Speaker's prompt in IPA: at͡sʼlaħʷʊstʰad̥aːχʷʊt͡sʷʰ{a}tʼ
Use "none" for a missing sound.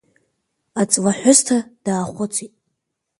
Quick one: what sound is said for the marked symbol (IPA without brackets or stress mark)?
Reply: i